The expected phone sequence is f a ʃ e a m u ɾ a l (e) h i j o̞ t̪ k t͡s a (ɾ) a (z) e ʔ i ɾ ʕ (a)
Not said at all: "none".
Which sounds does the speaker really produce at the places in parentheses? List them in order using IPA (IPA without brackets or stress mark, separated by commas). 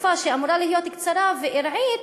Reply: i, ɾ, v, i